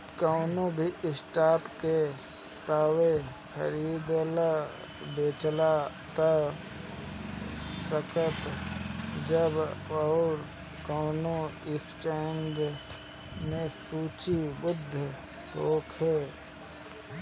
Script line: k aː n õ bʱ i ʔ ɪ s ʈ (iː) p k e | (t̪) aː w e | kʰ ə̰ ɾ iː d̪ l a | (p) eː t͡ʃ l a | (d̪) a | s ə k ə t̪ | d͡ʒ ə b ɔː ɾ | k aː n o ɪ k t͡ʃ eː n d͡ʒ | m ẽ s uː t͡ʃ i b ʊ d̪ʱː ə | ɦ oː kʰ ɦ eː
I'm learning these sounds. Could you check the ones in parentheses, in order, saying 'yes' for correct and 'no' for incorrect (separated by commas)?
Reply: no, yes, no, no